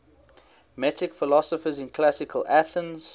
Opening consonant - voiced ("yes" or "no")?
yes